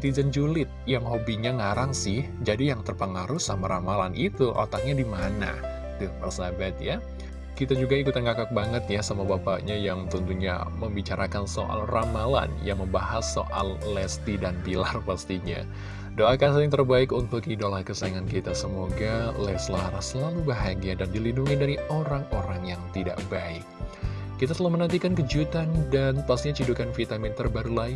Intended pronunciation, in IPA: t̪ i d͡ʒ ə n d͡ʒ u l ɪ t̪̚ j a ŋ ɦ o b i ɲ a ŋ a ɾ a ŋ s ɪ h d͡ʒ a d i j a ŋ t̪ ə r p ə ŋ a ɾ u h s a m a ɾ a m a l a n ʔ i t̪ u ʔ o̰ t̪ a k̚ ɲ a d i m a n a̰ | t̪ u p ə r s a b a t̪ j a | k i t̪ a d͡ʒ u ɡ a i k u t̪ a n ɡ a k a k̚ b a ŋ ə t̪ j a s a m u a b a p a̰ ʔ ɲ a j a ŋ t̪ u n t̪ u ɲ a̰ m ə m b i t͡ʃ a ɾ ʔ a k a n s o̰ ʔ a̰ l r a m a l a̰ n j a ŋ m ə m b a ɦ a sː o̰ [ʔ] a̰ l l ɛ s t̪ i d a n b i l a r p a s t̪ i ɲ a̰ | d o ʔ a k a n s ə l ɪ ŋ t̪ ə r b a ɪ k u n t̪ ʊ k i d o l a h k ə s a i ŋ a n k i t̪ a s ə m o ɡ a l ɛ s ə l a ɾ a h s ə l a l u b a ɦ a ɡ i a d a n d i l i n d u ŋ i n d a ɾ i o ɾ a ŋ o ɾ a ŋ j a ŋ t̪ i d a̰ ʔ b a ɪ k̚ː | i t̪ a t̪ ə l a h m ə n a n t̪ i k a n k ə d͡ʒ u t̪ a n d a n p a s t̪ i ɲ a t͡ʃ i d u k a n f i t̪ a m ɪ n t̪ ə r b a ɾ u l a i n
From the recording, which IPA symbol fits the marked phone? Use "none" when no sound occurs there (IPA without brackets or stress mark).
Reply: ʔ